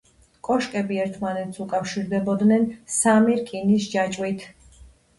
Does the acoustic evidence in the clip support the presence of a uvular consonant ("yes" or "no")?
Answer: no